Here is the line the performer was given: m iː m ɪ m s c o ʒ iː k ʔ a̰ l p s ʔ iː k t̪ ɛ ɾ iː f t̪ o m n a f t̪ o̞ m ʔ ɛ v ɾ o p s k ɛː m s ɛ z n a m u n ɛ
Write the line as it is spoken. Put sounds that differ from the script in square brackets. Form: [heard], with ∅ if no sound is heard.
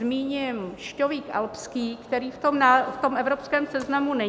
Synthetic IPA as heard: m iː [ɲ] ɪ m [ʃ] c o [v] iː k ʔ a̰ l p s [k] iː k t̪ ɛ ɾ iː f t̪ o m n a f t̪ o̞ m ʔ ɛ v ɾ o p s k ɛː m s ɛ z n a m u n ɛ